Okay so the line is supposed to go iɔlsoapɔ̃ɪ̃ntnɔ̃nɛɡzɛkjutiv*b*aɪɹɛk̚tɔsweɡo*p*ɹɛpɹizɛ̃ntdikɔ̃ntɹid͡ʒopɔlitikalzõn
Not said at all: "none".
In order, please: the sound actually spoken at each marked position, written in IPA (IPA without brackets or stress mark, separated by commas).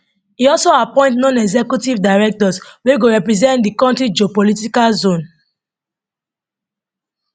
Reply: d, none